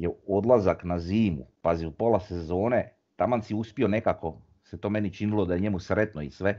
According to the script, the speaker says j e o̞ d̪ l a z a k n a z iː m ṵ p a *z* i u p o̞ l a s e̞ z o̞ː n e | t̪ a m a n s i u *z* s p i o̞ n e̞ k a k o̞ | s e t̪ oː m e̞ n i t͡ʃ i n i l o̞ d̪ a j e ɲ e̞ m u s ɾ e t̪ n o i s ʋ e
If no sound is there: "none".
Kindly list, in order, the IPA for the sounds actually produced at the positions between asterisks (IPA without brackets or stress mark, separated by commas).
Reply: z, none